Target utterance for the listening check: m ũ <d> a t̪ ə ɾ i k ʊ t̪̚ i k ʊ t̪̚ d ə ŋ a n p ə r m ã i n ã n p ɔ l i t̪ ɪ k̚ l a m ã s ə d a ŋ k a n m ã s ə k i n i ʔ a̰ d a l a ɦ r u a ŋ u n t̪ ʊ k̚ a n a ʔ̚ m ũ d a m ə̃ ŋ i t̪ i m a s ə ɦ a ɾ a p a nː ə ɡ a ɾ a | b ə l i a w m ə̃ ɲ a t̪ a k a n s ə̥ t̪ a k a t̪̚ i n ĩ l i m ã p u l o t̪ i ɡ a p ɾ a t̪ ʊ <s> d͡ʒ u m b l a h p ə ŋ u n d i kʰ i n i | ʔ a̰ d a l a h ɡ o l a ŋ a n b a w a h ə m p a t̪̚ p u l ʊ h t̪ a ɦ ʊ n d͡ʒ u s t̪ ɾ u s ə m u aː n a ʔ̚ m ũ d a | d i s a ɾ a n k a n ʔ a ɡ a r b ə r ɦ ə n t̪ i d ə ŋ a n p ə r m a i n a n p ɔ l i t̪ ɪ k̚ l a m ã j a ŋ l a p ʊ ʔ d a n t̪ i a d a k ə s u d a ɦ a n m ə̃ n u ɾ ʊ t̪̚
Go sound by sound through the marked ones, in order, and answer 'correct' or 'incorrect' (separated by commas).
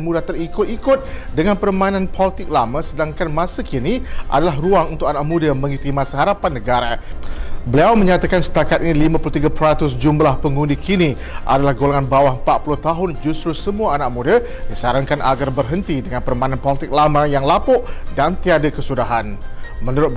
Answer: correct, correct